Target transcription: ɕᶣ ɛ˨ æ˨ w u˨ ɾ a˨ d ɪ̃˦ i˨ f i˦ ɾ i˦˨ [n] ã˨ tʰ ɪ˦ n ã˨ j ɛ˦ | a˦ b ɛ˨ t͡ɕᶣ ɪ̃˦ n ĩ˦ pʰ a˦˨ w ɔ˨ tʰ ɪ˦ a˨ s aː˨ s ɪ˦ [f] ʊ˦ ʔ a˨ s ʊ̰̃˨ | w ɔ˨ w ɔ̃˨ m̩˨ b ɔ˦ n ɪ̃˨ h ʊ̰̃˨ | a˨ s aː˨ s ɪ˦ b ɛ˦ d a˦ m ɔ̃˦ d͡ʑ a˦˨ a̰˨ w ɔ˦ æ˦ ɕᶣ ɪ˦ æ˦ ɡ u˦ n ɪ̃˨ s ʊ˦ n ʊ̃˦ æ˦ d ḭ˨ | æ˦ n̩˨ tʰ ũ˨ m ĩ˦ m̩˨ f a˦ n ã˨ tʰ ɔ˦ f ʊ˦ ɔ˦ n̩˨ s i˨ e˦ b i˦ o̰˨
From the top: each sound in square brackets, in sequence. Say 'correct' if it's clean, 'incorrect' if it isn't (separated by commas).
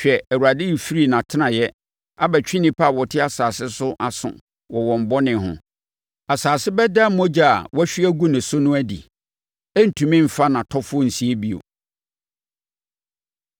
correct, incorrect